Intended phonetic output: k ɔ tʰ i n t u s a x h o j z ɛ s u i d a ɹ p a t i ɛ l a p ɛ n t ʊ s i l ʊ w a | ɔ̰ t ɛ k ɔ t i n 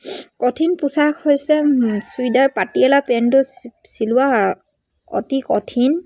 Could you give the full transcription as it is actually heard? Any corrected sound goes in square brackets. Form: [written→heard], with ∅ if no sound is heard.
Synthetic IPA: k ɔ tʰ i n [t→p] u s a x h o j [z→s] ɛ s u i d a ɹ p a t i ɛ l a p ɛ n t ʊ s i l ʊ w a | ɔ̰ t [ɛ→i] k ɔ [t→tʰ] i n